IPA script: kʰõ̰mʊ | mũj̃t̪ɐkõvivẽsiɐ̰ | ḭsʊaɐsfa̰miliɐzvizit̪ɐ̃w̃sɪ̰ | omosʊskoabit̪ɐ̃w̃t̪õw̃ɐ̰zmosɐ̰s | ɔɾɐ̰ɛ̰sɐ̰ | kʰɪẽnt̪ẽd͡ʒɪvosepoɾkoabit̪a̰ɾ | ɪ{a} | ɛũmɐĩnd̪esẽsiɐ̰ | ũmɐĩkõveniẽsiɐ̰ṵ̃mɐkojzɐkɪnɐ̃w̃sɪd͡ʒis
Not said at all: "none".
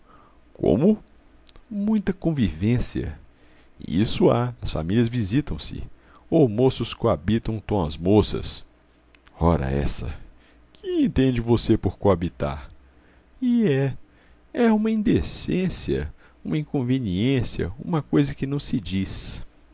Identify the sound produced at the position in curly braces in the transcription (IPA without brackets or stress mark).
ɛ